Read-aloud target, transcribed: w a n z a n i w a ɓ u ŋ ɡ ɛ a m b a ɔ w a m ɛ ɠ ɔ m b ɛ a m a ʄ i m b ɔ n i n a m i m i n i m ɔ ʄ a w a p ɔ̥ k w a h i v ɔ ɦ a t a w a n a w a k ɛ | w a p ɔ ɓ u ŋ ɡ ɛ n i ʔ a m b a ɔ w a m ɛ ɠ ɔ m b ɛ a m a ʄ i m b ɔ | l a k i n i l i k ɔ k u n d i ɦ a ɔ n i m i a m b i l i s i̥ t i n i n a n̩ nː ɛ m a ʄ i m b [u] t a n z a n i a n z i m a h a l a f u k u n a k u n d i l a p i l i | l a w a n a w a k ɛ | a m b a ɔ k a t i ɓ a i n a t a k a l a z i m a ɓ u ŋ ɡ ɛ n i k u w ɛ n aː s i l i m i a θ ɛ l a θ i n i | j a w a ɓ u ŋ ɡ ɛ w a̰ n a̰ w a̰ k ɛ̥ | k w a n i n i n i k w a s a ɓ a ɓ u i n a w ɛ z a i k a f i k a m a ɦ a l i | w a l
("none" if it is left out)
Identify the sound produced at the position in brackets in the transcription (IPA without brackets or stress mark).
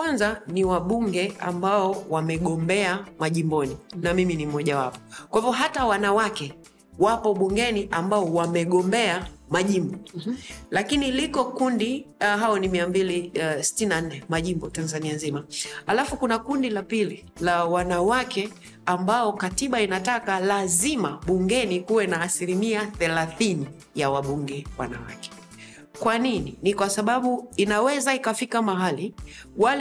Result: ɔ